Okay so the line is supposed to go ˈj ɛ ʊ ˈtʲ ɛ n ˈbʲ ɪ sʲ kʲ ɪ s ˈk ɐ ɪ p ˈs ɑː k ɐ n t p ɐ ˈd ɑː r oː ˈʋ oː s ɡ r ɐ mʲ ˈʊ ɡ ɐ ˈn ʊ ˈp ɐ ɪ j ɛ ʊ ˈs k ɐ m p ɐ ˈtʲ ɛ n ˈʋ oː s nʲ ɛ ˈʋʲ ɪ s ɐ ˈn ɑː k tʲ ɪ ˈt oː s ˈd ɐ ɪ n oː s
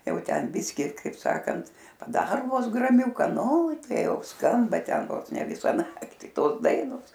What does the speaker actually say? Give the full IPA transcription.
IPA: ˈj ɛ ʊ ˈtʲ ɛ n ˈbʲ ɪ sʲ kʲ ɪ ˈk ɐ ɪ p ˈs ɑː k ɐ n t p ɐ ˈd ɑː r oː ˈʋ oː s ɡ r ɐ mʲ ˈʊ k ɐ ˈn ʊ ˈt ɐ ɪ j ɛ ʊ ˈs k ɐ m b ɐ ˈtʲ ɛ n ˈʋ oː s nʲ ɛ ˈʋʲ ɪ s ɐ ˈn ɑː k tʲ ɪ ˈt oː s ˈd ɐ ɪ n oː s